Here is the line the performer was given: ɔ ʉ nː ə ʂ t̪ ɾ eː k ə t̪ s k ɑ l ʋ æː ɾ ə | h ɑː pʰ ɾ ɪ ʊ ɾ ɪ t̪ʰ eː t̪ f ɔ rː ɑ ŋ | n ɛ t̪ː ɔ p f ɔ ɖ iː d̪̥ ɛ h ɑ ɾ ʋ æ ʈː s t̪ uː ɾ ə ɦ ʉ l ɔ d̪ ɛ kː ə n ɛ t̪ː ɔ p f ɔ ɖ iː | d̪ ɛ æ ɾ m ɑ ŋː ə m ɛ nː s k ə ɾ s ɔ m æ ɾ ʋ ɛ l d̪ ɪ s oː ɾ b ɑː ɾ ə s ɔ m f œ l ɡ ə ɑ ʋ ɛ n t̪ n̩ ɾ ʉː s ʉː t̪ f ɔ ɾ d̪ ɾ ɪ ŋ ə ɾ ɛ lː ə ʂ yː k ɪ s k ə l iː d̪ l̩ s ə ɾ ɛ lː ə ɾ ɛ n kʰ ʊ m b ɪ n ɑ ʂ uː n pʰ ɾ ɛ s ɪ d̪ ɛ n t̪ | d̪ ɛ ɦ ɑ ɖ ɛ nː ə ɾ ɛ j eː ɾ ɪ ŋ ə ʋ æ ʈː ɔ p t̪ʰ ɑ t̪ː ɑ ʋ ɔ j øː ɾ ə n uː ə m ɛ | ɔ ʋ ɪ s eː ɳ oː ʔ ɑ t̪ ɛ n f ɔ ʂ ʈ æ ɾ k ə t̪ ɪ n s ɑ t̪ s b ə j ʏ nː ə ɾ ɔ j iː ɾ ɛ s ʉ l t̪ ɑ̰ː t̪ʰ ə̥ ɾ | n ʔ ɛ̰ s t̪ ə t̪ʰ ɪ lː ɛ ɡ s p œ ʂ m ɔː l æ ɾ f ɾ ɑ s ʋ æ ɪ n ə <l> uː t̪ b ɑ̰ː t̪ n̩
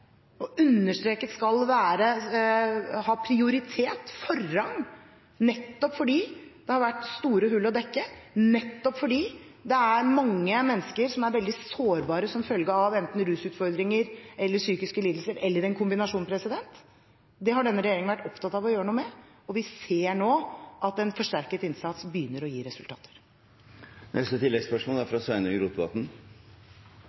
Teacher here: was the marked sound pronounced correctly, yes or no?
no